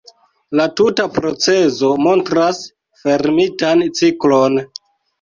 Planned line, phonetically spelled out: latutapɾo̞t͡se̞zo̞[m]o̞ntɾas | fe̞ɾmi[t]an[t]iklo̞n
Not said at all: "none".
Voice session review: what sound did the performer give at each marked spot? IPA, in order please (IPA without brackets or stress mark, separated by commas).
m, t, t͡s